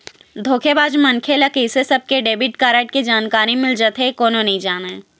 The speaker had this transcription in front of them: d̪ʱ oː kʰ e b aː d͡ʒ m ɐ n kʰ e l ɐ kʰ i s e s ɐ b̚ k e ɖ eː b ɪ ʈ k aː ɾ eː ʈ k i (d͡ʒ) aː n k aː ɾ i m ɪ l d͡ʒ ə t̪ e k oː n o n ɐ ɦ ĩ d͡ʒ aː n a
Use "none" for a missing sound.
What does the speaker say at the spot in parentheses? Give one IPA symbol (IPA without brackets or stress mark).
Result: d͡ʒ